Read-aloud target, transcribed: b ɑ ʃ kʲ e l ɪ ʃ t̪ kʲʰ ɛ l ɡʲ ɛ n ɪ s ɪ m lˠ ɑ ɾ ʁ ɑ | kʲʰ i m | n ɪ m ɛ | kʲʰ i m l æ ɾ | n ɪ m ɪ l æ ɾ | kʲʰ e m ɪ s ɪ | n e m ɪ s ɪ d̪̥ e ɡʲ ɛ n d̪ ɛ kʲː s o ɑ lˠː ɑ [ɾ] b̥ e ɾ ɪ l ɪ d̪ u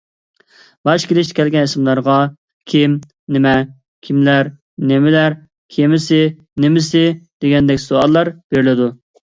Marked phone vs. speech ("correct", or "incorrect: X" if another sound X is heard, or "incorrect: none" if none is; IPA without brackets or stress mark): correct